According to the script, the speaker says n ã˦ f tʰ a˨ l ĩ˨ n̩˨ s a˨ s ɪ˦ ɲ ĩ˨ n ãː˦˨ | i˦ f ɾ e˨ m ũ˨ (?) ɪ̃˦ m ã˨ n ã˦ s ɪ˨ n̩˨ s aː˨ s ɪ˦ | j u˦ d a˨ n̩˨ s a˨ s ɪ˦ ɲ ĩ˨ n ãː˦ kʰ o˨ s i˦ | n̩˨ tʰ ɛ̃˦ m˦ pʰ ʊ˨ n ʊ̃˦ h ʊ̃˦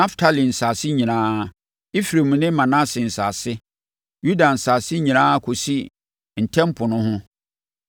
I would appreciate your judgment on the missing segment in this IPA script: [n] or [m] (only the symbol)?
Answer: n